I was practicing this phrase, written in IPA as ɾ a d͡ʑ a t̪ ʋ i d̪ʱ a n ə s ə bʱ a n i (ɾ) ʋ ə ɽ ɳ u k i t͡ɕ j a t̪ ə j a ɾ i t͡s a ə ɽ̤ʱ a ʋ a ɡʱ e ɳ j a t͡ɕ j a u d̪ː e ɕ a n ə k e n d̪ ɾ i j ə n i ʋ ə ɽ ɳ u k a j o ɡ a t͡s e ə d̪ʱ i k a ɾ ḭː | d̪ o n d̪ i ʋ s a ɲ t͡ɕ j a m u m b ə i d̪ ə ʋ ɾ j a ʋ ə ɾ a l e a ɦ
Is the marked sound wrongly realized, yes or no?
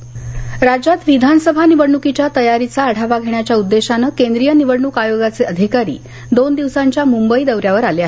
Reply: yes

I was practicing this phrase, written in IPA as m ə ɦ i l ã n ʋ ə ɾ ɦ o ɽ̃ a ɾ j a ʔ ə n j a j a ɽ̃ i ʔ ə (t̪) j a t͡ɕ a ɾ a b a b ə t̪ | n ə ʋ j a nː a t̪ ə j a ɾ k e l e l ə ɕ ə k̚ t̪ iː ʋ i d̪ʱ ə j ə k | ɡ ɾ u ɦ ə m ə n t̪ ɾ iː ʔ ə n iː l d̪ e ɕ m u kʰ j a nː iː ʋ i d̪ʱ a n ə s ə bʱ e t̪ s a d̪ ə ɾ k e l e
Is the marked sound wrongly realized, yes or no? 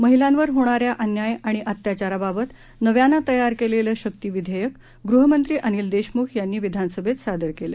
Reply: no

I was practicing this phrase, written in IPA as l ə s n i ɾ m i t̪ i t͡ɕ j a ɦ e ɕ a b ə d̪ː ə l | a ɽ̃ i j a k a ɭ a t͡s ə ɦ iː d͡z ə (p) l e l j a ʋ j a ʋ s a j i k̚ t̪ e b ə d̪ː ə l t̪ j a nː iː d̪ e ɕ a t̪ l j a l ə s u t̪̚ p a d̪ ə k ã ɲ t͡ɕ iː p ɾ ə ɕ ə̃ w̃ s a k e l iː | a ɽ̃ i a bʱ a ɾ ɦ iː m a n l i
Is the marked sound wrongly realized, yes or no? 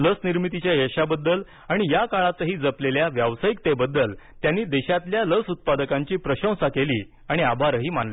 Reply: no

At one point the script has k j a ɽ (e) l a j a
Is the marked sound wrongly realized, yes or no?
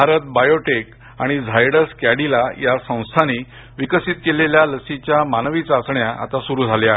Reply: yes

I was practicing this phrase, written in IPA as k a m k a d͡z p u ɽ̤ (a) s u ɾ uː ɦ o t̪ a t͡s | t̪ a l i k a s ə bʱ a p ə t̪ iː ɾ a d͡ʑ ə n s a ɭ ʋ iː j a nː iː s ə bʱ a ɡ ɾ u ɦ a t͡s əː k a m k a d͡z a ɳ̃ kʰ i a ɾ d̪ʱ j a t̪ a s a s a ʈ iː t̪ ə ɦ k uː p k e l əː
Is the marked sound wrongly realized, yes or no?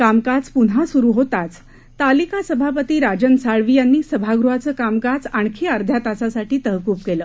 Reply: no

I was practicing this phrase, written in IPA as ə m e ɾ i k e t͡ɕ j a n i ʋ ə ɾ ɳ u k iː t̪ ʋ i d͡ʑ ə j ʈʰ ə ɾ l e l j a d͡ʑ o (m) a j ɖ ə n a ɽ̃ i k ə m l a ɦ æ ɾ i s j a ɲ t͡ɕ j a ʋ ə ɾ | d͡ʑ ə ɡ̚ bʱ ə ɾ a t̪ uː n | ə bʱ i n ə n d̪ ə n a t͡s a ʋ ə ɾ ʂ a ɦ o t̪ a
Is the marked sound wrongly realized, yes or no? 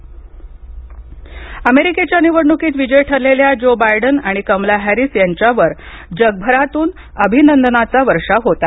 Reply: yes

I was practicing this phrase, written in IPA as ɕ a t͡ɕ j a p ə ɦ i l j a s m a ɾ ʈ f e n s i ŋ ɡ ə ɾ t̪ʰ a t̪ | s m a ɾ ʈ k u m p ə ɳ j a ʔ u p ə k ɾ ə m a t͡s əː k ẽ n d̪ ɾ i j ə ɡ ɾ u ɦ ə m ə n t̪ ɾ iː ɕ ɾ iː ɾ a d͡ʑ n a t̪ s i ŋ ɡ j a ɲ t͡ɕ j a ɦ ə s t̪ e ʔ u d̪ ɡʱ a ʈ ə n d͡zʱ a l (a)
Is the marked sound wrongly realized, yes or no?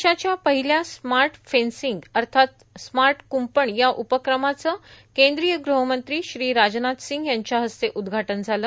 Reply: yes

